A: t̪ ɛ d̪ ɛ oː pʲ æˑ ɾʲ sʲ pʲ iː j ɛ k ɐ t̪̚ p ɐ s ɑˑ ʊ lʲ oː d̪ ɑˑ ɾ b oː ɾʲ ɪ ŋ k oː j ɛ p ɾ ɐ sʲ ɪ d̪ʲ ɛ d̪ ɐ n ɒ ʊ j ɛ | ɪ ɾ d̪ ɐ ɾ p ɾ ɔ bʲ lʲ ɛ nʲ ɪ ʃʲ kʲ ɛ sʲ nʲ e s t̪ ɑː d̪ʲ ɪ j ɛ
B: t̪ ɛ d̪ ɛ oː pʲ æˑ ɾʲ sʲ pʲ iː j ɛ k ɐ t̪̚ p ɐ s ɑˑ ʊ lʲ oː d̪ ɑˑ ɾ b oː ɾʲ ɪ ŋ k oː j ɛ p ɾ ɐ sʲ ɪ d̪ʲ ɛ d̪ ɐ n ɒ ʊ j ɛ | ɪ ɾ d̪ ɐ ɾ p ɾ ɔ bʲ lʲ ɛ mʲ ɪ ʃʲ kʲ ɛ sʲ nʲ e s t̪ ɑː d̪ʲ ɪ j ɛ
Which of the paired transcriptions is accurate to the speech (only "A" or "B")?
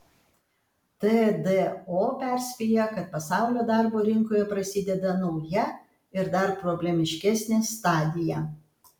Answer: B